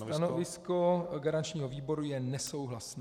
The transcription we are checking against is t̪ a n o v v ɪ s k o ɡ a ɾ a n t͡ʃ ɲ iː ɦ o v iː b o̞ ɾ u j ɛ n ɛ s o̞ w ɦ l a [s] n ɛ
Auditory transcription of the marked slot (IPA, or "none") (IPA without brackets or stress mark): s